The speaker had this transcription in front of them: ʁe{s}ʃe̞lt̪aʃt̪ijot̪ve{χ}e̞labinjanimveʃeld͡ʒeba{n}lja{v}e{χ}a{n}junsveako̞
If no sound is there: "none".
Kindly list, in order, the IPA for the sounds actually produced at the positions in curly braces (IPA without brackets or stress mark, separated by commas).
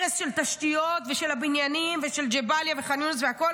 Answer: s, ʃ, none, v, χ, n